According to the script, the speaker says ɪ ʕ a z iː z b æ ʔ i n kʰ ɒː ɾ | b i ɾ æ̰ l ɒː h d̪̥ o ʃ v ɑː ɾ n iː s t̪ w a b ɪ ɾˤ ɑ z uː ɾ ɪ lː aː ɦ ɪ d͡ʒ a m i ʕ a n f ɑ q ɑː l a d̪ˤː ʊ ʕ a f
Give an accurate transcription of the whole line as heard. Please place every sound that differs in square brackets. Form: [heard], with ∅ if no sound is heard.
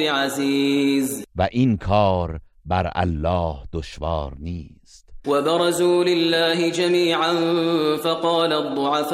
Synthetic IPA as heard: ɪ ʕ a z iː z [v] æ ʔ i n kʰ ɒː ɾ | b [æ] ɾ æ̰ [lː] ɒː h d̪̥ o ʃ v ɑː ɾ n iː s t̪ w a b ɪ ɾˤ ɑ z uː [l] ɪ lː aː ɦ ɪ d͡ʒ a m [iː] ʕ a n f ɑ q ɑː l a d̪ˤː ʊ ʕ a f